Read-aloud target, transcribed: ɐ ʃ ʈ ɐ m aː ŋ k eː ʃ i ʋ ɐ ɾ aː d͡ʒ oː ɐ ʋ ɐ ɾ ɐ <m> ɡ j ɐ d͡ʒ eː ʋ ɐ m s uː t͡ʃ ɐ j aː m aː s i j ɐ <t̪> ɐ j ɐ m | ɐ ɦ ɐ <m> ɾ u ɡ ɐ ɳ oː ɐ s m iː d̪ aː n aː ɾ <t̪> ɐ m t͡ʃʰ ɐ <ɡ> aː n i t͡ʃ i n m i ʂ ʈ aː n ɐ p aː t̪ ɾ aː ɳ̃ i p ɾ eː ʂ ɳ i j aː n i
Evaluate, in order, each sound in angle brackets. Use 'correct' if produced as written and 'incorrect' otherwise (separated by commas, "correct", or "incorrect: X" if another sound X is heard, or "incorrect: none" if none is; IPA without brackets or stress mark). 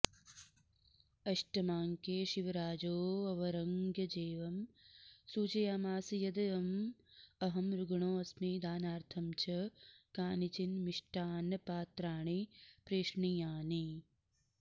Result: incorrect: ŋ, incorrect: d̪, correct, incorrect: t̪ʰ, incorrect: k